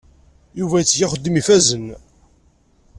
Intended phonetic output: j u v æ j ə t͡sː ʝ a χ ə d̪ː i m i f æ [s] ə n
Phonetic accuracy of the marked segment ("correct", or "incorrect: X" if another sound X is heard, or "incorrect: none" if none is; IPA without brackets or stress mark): incorrect: z